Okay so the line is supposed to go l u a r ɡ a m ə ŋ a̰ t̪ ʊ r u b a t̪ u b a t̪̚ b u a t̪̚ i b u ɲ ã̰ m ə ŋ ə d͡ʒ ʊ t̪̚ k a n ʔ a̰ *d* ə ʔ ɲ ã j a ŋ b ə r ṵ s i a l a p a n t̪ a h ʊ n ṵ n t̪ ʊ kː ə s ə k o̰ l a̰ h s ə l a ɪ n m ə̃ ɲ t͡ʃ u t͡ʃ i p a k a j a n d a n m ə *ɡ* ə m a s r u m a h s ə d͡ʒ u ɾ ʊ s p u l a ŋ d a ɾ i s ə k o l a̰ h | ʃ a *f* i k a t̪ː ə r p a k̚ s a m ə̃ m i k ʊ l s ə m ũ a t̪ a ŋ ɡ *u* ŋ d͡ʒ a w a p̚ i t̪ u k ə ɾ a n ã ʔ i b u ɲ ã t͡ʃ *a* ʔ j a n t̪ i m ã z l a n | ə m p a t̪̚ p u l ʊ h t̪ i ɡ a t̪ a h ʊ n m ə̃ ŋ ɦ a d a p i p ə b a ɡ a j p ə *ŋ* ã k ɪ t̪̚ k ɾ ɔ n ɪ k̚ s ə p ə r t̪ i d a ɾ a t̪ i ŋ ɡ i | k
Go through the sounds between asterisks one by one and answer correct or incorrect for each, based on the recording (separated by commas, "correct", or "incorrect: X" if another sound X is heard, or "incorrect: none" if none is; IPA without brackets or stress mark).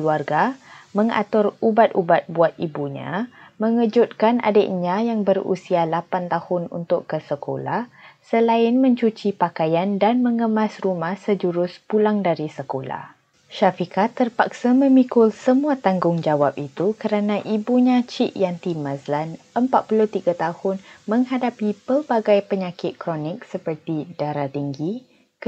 correct, incorrect: ŋ, correct, incorrect: ʊ, incorrect: i, incorrect: ɲ